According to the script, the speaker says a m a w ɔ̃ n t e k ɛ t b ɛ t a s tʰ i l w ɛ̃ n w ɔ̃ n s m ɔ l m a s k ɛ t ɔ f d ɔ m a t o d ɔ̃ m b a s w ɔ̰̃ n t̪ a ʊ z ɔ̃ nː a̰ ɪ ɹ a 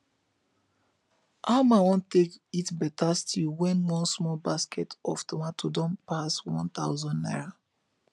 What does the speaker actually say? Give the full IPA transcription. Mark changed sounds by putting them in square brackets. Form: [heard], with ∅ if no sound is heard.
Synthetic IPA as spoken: a m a w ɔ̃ n t e k [i] t b ɛ t a s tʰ i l w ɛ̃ n w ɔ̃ n s m ɔ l [b] a s k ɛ t ɔ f [t] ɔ m a t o d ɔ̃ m [p] a s w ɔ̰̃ n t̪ a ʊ z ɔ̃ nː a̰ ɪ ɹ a